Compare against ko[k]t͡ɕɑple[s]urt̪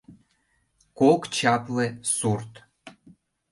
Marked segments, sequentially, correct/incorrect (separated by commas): correct, correct